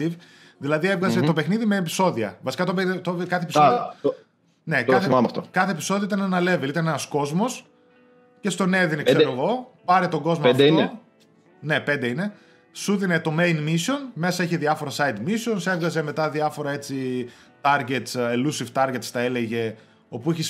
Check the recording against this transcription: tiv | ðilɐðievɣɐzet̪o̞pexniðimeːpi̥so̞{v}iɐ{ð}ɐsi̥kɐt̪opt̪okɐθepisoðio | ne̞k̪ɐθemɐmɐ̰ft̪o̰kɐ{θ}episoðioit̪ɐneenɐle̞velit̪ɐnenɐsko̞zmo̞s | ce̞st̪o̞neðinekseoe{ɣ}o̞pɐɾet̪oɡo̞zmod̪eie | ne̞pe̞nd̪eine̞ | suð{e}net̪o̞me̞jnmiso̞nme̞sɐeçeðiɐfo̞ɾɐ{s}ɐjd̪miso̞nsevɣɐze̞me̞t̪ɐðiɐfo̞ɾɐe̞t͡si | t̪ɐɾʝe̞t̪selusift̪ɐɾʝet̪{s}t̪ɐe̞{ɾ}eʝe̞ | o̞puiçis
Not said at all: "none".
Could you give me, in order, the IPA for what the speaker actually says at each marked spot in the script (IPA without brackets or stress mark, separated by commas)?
ð, v, θ, ɣ, i, s, s, l